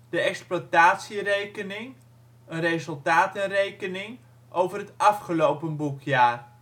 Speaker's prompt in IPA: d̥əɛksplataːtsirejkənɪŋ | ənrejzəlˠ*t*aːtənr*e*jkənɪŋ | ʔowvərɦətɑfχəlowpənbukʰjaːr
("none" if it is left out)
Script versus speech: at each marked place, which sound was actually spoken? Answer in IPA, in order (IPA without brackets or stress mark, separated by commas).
t, e